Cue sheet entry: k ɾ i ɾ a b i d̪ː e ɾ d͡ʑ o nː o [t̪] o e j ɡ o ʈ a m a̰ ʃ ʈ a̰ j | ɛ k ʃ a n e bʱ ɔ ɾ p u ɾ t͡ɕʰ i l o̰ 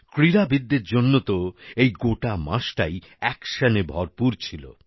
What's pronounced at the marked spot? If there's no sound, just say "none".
t̪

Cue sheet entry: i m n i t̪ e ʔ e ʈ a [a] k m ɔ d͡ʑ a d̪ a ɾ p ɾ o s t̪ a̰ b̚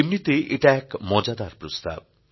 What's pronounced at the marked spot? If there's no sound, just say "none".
ɛ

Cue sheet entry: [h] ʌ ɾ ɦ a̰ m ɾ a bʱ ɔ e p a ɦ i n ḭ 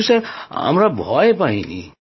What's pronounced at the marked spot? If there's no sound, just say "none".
s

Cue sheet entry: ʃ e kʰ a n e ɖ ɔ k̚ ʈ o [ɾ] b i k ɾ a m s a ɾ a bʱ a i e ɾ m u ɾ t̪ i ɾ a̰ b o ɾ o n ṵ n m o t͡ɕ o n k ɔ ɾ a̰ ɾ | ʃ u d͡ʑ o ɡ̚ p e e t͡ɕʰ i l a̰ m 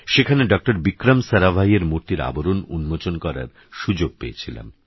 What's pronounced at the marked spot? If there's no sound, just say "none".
ɾ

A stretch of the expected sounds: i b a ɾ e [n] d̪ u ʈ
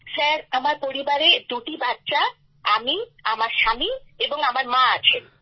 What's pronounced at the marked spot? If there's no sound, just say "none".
none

